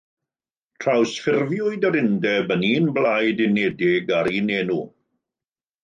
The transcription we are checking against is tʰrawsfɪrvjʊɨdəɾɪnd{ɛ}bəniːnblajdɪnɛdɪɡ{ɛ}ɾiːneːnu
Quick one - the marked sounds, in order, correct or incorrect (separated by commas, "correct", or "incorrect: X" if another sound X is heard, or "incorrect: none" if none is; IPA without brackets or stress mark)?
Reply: correct, incorrect: a